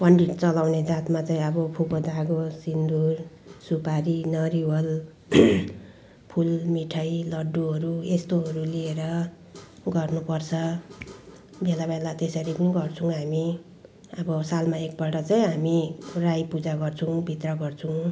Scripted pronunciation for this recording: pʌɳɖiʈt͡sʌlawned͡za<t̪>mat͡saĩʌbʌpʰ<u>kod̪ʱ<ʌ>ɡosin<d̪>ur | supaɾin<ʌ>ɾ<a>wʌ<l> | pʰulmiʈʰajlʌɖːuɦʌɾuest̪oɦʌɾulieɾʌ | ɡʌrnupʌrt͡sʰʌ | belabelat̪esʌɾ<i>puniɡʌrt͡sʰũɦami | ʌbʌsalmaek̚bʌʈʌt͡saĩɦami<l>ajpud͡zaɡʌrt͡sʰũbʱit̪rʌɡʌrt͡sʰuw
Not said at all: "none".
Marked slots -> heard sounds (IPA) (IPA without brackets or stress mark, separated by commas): t̪, u, a, d̪, ʌ, i, l, i, r